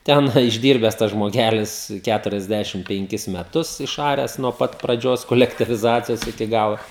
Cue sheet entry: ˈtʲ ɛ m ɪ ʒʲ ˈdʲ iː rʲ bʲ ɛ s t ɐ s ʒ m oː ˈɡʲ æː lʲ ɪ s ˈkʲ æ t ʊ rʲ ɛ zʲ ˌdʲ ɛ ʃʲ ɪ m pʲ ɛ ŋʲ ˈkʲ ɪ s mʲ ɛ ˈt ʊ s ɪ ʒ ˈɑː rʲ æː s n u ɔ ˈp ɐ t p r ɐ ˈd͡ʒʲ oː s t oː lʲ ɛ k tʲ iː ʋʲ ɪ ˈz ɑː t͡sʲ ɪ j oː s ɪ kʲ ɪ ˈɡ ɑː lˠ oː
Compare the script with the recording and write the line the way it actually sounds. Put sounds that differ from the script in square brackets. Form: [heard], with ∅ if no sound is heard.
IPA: ˈtʲ ɛ [n] ɪ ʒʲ ˈdʲ iː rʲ bʲ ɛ s t ɐ s ʒ m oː ˈɡʲ æː lʲ ɪ s ˈkʲ æ t ʊ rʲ ɛ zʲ ˌdʲ [æ] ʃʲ ɪ m pʲ ɛ ŋʲ ˈkʲ ɪ s mʲ ɛ ˈt ʊ s ɪ [ʃ] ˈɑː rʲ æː s n u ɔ ˈp ɐ t p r ɐ ˈd͡ʒʲ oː s [k] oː lʲ ɛ k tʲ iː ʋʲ ɪ ˈz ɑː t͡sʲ ɪ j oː s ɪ kʲ ɪ ˈɡ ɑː lˠ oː

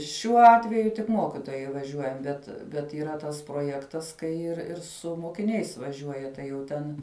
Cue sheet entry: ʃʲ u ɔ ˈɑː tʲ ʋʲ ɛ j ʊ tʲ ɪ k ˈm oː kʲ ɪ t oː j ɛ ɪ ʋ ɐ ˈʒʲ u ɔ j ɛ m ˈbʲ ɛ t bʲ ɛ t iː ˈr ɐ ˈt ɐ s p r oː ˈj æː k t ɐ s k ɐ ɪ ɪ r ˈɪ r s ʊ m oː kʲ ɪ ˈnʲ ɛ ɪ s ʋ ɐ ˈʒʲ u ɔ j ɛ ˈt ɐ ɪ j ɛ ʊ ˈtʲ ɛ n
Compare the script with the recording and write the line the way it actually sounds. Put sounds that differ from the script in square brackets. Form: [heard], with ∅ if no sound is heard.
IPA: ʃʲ u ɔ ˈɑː tʲ ʋʲ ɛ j ʊ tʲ ɪ k ˈm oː kʲ ɪ t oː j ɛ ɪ ʋ ɐ ˈʒʲ u ɔ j ɛ m ˈbʲ ɛ t bʲ ɛ t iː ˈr ɐ ˈt ɐ s p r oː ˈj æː k t ɐ s k ɐ ɪ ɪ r ˈɪ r s ʊ m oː kʲ ɪ ˈnʲ ɛ ɪ s ʋ ɐ ˈʒʲ u ɔ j ɛ ˈt ɐ ɪ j ɛ ʊ ˈtʲ ɛ n

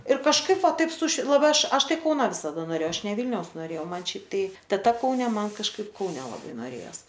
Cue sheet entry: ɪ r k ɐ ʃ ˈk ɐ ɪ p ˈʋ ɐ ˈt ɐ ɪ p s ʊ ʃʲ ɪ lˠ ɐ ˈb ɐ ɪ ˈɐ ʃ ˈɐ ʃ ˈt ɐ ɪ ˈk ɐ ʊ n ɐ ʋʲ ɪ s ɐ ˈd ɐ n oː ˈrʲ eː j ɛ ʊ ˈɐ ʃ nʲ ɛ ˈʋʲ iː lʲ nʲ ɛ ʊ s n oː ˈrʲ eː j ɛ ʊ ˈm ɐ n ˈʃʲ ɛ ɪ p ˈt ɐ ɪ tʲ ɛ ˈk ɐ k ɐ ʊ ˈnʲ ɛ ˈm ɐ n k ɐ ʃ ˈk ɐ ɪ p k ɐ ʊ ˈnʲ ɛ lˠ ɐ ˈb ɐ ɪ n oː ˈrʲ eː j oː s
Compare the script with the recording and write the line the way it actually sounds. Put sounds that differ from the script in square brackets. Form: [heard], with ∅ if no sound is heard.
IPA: ɪ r k ɐ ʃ ˈk ɐ ɪ p ˈʋ ɐ ˈt ɐ ɪ p s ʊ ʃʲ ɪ lˠ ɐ ˈb ɐ ɪ ˈɐ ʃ ˈɐ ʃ ˈt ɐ ɪ ˈk ɐ ʊ n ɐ ʋʲ ɪ s ɐ ˈd ɐ n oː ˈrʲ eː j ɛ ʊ ˈɐ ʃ nʲ ɛ ˈʋʲ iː lʲ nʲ ɛ ʊ s n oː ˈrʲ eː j ɛ ʊ ˈm ɐ n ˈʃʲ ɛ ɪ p ˈt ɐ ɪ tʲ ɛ [ˈt] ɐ k ɐ ʊ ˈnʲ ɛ ˈm ɐ n k ɐ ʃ ˈk ɐ ɪ p k ɐ ʊ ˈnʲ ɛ lˠ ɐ ˈb ɐ ɪ n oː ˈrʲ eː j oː s

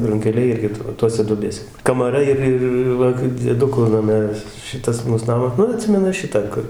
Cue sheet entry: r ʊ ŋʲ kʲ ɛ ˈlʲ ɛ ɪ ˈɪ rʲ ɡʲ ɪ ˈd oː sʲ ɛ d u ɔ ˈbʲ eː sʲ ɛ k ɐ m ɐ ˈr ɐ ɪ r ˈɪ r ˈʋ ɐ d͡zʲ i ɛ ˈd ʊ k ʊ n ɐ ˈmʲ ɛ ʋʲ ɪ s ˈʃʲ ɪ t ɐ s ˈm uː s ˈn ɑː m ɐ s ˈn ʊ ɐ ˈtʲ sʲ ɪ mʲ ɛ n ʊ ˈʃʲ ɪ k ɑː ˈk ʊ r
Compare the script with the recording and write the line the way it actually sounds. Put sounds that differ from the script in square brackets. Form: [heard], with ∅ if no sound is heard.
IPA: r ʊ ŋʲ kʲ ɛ ˈlʲ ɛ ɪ ˈɪ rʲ ɡʲ ɪ [ˈt] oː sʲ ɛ d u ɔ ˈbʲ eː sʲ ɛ k ɐ m ɐ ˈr ɐ ɪ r ˈɪ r ˈʋ ɐ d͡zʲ i ɛ ˈd ʊ k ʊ n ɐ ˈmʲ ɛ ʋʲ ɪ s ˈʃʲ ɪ t ɐ s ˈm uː s ˈn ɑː m ɐ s ˈn ʊ ɐ ˈtʲ sʲ ɪ mʲ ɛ n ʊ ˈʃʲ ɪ [t] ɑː ˈk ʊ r

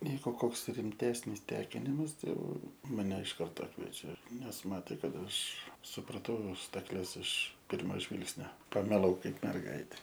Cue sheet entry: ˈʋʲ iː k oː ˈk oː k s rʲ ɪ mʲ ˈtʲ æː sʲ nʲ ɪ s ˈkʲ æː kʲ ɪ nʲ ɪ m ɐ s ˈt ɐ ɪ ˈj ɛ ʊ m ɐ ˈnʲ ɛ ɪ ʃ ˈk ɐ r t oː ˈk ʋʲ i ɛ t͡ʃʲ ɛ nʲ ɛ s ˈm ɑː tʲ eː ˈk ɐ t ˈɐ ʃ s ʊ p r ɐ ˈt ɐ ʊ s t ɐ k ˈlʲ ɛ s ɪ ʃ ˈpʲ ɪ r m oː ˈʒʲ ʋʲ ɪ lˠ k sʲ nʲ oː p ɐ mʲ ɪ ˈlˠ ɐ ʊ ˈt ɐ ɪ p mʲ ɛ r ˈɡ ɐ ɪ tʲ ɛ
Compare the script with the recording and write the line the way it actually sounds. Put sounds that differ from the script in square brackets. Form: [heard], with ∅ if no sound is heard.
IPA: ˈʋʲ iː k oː ˈk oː k s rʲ ɪ mʲ ˈtʲ æː sʲ nʲ ɪ s [ˈtʲ] æː kʲ ɪ nʲ ɪ m ɐ s ˈt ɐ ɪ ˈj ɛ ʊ m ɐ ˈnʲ ɛ ɪ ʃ ˈk ɐ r t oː ˈk ʋʲ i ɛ t͡ʃʲ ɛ nʲ ɛ s ˈm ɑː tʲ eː ˈk ɐ t ˈɐ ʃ s ʊ p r ɐ ˈt ɐ ʊ s t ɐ k ˈlʲ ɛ s ɪ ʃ ˈpʲ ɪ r m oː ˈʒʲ ʋʲ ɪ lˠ k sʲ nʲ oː p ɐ mʲ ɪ ˈlˠ ɐ ʊ [ˈk] ɐ ɪ p mʲ ɛ r ˈɡ ɐ ɪ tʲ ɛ

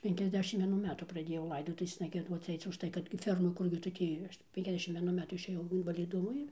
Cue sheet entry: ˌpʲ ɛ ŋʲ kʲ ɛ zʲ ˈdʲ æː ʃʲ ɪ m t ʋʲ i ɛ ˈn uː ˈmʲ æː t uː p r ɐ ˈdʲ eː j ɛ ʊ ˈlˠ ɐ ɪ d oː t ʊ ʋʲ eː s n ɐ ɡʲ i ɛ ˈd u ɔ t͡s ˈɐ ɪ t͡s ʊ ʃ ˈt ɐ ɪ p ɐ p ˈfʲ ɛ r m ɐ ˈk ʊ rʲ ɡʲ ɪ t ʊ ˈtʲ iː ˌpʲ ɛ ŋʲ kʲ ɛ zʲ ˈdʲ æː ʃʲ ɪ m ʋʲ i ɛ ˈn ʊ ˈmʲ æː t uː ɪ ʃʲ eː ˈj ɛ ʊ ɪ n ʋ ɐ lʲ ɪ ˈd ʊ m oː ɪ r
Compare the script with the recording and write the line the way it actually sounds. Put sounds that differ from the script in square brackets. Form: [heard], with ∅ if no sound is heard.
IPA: ˌpʲ ɛ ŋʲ kʲ ɛ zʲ ˈdʲ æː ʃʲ ɪ m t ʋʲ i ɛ ˈn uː ˈmʲ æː t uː p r ɐ ˈdʲ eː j ɛ ʊ ˈlˠ ɐ ɪ d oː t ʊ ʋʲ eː s n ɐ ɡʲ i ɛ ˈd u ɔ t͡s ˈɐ ɪ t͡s ʊ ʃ ˈt ɐ ɪ [k] ɐ [t] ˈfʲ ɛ r m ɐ ˈk ʊ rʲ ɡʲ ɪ t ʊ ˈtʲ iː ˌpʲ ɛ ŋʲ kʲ ɛ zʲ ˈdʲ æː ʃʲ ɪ m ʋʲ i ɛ ˈn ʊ ˈmʲ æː t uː ɪ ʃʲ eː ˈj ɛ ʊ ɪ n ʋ ɐ lʲ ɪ ˈd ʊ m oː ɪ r

